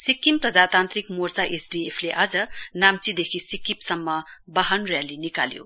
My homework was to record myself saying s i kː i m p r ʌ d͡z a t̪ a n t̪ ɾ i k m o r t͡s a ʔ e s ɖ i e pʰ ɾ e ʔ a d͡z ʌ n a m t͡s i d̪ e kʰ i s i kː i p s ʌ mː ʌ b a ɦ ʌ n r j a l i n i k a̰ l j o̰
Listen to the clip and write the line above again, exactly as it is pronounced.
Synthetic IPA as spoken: s i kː i m p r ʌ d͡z a t̪ a n t̪ ɾ i k m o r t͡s a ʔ e s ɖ i e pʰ l e ʔ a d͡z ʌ n a m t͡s i d̪ e kʰ i s i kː i p s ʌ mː ʌ b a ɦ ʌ n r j a l i n i k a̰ l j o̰